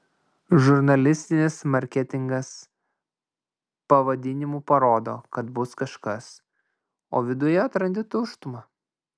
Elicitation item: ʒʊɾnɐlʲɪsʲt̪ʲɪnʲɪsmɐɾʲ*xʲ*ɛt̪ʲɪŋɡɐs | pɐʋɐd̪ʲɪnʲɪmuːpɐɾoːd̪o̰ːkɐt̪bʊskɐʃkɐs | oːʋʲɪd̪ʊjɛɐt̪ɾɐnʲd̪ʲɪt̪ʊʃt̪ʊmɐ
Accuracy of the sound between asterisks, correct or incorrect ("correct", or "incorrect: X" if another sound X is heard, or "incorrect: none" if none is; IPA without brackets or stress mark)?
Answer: incorrect: kʲ